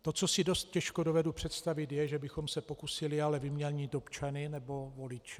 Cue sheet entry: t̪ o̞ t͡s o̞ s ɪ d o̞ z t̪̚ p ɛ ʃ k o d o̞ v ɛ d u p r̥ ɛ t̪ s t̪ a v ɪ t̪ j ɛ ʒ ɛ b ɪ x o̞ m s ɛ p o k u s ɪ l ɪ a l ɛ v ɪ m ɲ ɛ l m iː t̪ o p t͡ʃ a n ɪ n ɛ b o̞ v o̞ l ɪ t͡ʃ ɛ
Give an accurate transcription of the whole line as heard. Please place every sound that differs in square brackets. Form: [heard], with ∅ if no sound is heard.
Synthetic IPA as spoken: t̪ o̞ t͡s o̞ s ɪ d o̞ [s] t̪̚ [c] ɛ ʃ k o d o̞ v ɛ d u p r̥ ɛ t̪ s t̪ a v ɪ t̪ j ɛ ʒ ɛ b ɪ x o̞ m s ɛ p o k u s ɪ l ɪ a l ɛ v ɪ m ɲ ɛ l [ɲ] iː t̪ o p t͡ʃ a n ɪ n ɛ b o̞ v o̞ l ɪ t͡ʃ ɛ